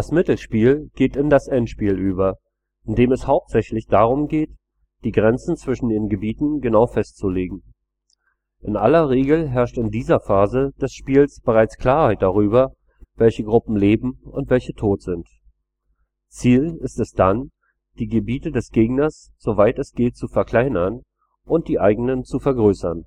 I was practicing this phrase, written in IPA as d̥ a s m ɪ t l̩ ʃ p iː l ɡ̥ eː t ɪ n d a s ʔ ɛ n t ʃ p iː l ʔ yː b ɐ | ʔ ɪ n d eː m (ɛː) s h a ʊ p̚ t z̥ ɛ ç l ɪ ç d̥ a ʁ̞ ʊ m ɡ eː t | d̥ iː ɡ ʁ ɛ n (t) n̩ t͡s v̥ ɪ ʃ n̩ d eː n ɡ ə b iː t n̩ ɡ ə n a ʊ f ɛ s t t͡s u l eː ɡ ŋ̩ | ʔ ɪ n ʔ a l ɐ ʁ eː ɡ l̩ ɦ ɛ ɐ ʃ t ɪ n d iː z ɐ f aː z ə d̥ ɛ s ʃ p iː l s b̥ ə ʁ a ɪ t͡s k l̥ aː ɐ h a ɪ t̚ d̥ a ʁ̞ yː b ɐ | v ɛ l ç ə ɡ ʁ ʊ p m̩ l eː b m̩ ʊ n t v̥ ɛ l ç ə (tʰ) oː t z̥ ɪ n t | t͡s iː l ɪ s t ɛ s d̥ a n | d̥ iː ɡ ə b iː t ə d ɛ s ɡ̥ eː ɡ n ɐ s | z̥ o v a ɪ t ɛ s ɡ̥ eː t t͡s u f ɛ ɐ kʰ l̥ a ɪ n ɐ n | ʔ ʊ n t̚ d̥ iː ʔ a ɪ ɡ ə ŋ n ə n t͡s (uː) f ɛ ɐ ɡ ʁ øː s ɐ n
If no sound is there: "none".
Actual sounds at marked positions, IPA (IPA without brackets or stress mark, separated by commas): ɛ, t͡s, tʰ, u